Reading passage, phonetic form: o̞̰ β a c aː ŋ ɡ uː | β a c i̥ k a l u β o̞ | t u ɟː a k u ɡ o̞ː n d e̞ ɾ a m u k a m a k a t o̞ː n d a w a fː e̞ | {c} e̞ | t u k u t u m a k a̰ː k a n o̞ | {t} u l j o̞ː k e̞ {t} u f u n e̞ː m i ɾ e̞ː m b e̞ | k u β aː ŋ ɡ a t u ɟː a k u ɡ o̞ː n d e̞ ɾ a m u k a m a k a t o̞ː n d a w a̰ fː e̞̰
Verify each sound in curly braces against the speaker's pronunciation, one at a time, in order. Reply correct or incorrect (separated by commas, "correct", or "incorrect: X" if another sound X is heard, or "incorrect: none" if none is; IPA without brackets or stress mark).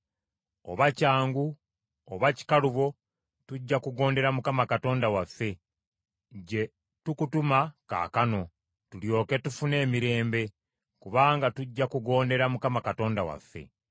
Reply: incorrect: ɟ, correct, correct